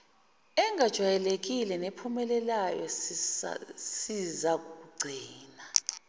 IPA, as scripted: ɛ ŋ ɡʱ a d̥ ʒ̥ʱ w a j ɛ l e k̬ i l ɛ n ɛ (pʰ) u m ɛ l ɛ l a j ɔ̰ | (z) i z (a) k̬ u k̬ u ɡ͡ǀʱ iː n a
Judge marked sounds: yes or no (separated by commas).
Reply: yes, no, yes